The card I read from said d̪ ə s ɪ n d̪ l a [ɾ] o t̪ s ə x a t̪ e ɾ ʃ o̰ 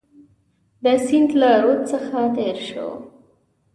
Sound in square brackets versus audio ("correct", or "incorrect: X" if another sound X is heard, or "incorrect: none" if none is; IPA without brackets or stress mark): correct